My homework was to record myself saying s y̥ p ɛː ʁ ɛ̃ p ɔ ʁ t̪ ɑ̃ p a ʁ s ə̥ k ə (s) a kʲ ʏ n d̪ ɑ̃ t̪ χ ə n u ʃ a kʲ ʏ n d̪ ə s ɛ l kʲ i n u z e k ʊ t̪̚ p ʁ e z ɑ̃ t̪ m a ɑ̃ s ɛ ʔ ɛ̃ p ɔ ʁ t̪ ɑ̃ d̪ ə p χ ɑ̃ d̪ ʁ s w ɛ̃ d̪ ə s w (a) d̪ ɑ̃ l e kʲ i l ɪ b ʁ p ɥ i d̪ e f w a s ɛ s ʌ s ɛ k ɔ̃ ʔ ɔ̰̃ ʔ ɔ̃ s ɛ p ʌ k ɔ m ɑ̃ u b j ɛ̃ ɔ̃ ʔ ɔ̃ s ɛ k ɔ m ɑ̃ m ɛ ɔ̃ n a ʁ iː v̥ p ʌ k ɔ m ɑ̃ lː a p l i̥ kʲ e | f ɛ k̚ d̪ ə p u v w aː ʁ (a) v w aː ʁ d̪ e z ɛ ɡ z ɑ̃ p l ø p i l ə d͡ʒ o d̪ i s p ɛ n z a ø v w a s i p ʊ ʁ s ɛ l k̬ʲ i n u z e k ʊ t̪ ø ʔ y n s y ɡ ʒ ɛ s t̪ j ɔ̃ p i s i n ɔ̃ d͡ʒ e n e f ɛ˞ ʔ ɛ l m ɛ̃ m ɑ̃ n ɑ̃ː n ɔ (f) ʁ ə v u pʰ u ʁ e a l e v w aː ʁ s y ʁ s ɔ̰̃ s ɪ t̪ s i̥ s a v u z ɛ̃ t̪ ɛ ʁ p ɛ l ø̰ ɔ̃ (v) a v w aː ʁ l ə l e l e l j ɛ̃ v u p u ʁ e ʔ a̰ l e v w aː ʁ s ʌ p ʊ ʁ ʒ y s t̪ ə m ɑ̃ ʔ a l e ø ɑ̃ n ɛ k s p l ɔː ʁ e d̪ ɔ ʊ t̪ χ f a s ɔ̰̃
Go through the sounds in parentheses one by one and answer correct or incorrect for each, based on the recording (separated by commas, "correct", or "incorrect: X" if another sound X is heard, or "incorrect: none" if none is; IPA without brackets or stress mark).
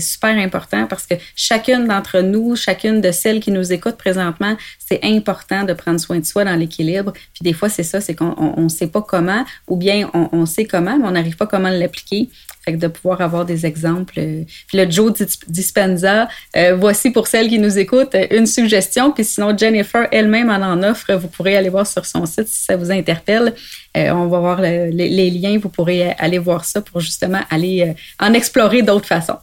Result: incorrect: ʃ, correct, correct, correct, correct